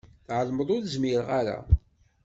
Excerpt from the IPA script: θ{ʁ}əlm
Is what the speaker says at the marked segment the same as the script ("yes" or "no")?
no